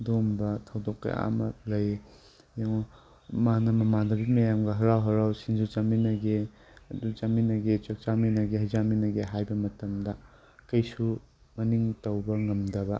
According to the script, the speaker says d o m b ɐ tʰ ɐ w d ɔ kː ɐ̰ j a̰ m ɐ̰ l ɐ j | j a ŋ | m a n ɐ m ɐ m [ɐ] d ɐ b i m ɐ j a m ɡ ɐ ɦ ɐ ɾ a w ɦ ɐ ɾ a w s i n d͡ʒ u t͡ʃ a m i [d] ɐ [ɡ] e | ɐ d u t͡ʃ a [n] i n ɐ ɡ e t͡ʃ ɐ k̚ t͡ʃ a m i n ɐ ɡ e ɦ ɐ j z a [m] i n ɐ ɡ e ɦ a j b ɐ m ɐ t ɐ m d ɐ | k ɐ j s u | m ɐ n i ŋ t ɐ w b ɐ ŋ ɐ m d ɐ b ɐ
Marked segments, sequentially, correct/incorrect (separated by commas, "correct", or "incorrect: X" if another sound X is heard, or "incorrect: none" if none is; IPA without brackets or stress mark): incorrect: a, incorrect: n, correct, incorrect: m, correct